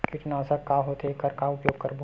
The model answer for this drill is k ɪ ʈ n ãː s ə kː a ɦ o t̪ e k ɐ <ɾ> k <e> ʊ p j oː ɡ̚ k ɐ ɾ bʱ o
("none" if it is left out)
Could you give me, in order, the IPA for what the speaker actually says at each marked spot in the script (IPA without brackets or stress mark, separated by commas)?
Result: ɾ, a